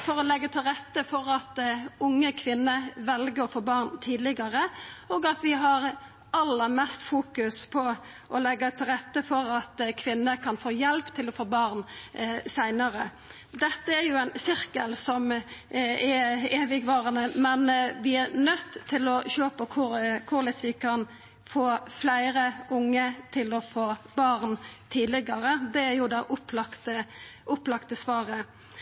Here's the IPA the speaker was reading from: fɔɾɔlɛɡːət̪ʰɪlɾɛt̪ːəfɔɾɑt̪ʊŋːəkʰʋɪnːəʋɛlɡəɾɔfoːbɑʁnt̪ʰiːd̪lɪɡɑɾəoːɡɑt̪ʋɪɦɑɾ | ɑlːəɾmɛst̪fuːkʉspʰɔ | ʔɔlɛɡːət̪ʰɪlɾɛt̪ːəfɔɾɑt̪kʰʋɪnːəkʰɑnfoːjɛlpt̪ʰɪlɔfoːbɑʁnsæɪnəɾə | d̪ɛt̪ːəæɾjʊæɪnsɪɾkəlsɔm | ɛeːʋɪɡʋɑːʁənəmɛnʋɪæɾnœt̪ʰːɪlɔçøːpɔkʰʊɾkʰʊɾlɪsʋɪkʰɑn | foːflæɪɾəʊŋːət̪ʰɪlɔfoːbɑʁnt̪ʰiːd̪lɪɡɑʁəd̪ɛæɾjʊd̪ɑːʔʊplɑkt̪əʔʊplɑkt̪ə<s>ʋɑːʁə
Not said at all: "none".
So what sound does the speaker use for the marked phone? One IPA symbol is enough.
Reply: s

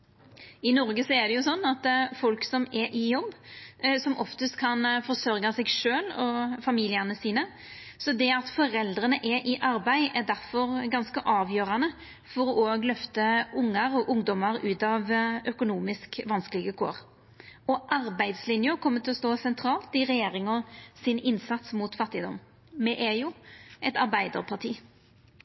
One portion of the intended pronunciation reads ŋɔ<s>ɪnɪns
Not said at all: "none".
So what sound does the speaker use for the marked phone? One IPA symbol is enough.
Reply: s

